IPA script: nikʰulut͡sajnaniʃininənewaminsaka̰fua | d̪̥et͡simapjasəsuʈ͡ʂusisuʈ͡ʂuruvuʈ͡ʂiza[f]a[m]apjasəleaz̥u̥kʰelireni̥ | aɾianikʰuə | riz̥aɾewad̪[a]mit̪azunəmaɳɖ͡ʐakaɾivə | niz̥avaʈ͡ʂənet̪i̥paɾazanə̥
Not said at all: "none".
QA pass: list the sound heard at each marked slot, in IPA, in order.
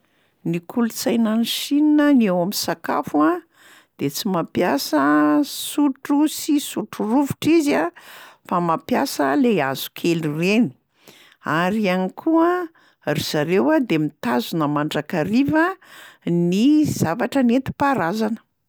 f, m, e

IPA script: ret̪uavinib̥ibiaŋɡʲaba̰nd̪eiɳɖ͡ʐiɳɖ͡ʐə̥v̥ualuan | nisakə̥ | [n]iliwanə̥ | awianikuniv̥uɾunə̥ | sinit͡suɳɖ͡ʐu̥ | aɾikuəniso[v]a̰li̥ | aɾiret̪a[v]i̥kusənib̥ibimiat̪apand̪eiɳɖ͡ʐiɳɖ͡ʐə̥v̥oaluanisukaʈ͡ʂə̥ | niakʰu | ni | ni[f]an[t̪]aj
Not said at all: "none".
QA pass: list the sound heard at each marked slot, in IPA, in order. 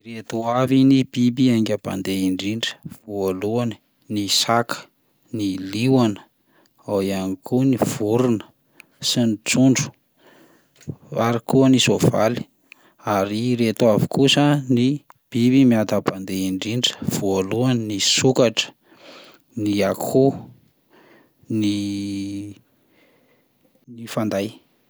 n, v, v, f, d̪

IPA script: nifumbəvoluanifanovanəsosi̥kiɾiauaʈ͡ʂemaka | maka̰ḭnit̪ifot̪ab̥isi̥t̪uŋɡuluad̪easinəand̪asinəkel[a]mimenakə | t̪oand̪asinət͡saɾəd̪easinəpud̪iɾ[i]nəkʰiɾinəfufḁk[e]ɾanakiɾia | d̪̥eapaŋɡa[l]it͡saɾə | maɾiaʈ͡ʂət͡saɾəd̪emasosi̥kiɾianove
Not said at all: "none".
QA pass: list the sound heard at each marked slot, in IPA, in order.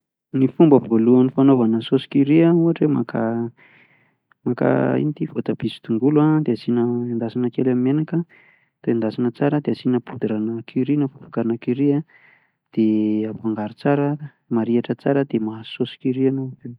a, a, a, ɾ

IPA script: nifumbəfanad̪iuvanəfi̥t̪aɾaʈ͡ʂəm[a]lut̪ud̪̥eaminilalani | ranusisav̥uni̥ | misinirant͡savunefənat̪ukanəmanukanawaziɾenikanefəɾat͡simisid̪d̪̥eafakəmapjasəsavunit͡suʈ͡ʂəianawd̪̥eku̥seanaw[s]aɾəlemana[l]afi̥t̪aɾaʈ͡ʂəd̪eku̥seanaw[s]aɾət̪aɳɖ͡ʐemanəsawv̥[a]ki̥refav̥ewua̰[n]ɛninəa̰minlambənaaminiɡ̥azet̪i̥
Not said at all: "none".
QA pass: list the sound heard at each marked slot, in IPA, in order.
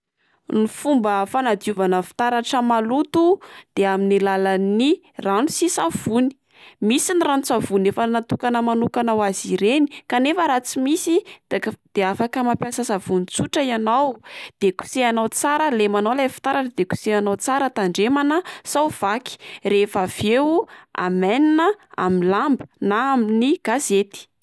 a, t͡s, l, t͡s, a, m

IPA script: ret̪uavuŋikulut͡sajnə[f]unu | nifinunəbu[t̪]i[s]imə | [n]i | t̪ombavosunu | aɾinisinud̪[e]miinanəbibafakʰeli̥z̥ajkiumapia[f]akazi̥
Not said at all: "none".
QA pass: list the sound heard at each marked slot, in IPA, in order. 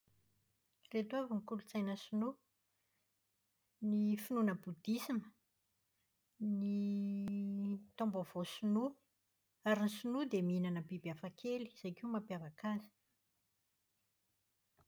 s, d̪, s, n, e, v

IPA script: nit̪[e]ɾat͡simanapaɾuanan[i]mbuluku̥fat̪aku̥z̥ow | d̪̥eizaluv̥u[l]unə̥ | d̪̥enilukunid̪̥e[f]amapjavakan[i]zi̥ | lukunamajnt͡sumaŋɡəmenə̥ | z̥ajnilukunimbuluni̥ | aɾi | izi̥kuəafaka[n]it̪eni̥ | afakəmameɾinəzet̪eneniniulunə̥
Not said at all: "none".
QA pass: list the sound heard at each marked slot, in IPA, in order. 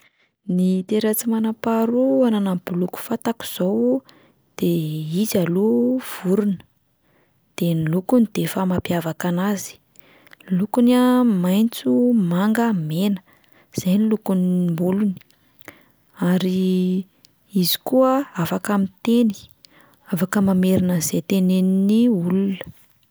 e, a, ɾ, f, a, m

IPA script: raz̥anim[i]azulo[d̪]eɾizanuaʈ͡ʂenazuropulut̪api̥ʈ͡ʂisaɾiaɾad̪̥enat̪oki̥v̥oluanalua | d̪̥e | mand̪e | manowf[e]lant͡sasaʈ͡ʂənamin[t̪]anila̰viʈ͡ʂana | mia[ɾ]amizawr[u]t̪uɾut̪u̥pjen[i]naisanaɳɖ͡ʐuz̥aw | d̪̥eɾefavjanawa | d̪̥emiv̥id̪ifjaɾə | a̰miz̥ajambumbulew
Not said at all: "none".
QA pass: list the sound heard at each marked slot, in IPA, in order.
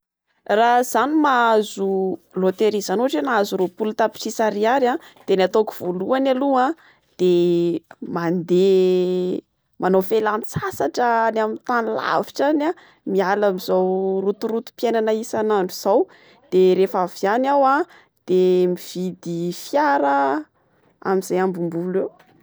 a, t̪, e, t̪, l, u, a

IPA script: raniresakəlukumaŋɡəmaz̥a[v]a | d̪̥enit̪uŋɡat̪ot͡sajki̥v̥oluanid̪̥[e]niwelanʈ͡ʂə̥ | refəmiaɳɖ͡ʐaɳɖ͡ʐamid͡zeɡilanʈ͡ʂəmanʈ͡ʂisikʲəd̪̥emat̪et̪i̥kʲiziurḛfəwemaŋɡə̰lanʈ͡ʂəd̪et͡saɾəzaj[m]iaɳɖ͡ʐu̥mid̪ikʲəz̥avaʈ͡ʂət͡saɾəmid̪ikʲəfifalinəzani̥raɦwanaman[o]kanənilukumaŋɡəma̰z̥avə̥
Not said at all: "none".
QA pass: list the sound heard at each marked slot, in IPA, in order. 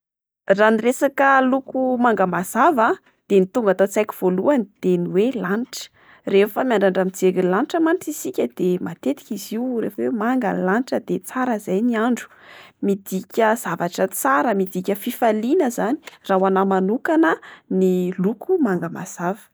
v, e, n, u

